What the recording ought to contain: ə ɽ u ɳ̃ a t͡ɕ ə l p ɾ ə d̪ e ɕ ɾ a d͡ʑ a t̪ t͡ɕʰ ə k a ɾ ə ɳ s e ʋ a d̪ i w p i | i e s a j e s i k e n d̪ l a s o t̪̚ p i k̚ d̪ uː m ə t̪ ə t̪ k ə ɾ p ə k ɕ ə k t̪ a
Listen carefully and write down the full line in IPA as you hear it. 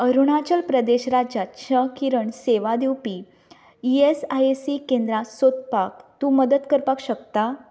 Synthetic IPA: ə ɾ u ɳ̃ a t͡ɕ ə l p ɾ ə d̪ e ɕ ɾ a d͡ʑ a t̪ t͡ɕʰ ə k i ɾ ə ɳ s e ʋ a d̪ i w p i | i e s a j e s i k e n d̪ ɾ a s o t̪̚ p a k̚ t̪ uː m ə d̪ ə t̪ k ə ɾ p a k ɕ ə k t̪ a

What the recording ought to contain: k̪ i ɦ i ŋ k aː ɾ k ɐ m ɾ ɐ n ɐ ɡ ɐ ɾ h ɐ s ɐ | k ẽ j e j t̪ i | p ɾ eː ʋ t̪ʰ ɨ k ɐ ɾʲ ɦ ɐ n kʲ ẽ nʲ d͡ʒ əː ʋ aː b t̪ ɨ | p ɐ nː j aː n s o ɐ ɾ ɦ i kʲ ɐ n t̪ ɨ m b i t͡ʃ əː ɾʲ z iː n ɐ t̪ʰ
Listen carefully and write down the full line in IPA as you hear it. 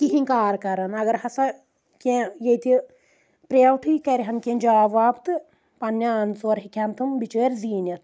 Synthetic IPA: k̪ i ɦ i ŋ k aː ɾ k ɐ ɾ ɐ n ɐ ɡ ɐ ɾ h ɐ s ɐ | k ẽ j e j t̪ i | p ɾ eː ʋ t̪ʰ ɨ k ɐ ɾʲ ɦ ɐ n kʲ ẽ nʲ d͡ʒ aː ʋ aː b t̪ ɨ | p ɐ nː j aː n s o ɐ ɾ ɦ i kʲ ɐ n t̪ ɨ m b i t͡ʃ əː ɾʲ z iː n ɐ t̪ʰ

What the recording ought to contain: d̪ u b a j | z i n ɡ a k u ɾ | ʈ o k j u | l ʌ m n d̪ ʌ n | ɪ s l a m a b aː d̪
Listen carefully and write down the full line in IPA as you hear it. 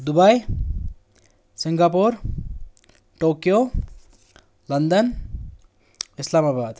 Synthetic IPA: d̪ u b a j | s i ŋ ɡ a p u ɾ | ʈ o k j o | l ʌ n d̪ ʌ n | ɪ s l a m a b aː d̪

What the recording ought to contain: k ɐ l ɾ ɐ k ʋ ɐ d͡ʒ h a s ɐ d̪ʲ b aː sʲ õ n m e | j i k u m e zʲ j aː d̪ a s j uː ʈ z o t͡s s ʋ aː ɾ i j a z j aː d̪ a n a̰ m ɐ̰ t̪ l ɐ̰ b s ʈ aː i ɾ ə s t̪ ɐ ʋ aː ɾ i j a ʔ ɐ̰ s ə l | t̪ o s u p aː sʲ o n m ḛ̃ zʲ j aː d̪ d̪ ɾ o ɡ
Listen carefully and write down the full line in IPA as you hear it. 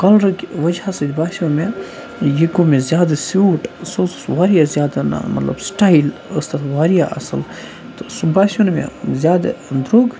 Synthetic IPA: k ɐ l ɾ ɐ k ʋ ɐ d͡ʒ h a s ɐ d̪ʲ b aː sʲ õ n m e | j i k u m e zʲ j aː d̪ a s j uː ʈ s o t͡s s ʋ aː ɾ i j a z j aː d̪ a n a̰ m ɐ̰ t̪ l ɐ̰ b s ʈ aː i l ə s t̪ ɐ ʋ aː ɾ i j a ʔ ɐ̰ s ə l | t̪ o s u b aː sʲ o n m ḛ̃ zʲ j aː d̪ d̪ ɾ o ɡ

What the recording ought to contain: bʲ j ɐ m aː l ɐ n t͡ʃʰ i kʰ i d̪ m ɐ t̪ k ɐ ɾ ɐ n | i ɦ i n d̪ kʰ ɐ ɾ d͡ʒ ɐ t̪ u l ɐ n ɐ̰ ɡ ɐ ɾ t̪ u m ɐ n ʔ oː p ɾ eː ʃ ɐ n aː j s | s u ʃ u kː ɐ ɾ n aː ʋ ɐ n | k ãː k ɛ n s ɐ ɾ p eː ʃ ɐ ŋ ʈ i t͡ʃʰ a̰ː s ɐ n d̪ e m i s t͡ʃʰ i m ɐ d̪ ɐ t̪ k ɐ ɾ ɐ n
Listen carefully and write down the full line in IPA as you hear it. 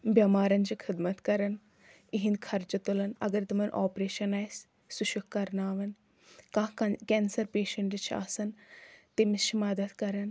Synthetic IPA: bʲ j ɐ m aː ɾ ɐ n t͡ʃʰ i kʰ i d̪ m ɐ t̪ k ɐ ɾ ɐ n | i ɦ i n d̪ kʰ ɐ ɾ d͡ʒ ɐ t̪ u l ɐ n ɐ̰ ɡ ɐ ɾ t̪ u m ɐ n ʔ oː p ɾ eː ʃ ɐ n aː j s | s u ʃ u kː ɐ ɾ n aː ʋ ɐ n | k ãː k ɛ n s ɐ ɾ p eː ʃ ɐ ɳ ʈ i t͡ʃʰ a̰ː s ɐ n t̪ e m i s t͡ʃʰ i m ɐ d̪ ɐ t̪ k ɐ ɾ ɐ n

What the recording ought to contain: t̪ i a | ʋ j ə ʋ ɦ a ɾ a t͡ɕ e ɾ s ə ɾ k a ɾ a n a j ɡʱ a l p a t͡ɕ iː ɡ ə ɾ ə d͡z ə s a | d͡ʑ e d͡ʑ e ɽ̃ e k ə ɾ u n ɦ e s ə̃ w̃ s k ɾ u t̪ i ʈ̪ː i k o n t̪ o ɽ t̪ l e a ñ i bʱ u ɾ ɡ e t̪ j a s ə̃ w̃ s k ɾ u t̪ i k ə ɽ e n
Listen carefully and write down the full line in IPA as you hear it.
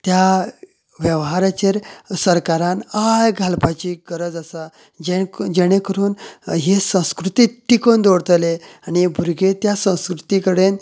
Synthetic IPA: t̪ j a | ʋ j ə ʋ ɦ a ɾ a t͡ɕ e ɾ s ə ɾ k a ɾ a n a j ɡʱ a l p a t͡ɕ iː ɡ ə ɾ ə d͡z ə s a | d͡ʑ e d͡ʑ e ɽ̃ e k ə ɾ uː n ɦ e s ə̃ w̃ s k ɾ u t̪ i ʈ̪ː i k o n d̪ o ɽ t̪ l e a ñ i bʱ u ɾ ɡ e t̪ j a s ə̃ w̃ s k ɾ u t̪ i k ə ɽ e n

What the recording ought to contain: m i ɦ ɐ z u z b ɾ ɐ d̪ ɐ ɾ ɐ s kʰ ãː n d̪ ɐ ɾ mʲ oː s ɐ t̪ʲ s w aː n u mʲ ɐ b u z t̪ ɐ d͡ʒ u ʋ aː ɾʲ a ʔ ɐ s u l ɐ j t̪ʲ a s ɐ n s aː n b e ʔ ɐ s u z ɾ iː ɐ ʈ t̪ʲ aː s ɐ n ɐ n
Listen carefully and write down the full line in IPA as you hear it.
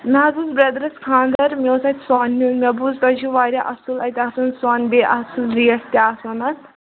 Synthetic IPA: m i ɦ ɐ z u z b ɾ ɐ d̪ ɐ ɾ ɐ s kʰ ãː n d̪ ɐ ɾ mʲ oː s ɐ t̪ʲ s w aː n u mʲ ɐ b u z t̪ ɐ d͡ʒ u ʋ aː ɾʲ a ʔ ɐ s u l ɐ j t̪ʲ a s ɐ n s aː n b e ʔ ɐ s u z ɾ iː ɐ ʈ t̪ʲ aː s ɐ n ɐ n

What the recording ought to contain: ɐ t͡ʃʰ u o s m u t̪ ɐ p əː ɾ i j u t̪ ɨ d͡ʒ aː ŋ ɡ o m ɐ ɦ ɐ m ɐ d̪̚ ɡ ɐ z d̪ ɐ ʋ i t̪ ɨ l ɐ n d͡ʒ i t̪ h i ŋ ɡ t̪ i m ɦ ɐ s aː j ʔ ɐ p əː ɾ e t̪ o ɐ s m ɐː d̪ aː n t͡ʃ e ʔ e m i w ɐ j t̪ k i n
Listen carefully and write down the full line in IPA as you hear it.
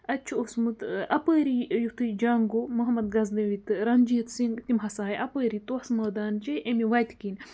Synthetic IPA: ɐ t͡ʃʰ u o s m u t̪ ɐ p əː ɾ i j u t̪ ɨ d͡ʒ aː ŋ ɡ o m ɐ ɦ ɐ m ɐ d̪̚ ɡ ɐ z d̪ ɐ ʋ i t̪ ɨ ɾ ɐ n d͡ʒ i t̪ s i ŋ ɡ t̪ i m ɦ ɐ s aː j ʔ ɐ p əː ɾ i t̪ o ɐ s m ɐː d̪ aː n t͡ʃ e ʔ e m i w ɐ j t̪ k i n

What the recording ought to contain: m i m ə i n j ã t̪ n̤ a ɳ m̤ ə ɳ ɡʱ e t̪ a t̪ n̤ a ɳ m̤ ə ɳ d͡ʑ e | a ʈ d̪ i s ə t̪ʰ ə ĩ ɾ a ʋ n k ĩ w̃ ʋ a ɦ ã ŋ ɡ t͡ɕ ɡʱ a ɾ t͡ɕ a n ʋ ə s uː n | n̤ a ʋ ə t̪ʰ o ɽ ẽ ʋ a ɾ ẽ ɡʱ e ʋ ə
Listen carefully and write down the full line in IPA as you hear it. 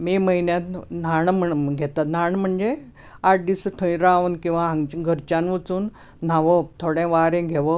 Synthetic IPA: m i m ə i n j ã t̪ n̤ a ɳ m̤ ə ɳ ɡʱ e t̪ a t̪ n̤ a ɳ m̤ ə ɳ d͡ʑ e | a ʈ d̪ i s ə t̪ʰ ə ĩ ɾ a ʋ n k ĩ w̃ ʋ a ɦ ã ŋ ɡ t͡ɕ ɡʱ ə ɾ t͡ɕ a n ʋ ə t͡s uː n | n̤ a ʋ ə t̪ʰ o ɽ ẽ ʋ a ɾ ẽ ɡʱ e ʋ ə

